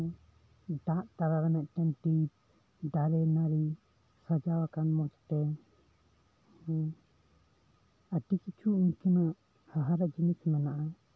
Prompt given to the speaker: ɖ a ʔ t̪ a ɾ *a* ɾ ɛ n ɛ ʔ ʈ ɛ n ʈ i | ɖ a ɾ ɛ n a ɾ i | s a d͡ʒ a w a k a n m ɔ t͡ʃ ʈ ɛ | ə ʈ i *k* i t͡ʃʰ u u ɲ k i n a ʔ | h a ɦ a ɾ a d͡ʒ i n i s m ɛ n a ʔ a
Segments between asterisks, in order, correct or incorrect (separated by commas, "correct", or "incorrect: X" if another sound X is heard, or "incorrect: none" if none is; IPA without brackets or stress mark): correct, correct